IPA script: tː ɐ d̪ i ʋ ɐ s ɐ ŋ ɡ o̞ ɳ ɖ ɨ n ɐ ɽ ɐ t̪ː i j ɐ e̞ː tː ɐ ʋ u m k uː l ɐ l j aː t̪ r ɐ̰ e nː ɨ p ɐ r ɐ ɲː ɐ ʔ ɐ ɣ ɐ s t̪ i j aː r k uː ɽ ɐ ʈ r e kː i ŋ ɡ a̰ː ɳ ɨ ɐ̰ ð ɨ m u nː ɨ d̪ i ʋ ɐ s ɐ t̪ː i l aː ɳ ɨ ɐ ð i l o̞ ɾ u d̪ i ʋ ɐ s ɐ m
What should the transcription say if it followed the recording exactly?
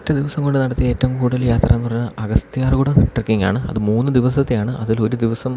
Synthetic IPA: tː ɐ d̪ i ʋ ɐ s ɐ ŋ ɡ o̞ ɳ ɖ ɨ n ɐ ɽ ɐ t̪ː i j ɐ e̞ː tː ɐ ʋ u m k uː ɽ ɐ l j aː t̪ r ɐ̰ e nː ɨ p ɐ r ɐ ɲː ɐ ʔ ɐ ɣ ɐ s t̪ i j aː r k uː ɽ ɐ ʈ r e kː i ŋ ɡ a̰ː ɳ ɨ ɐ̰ ð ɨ m uː nː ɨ d̪ i ʋ ɐ s ɐ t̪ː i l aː ɳ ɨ ɐ ð i l o̞ ɾ u d̪ i ʋ ɐ s ɐ m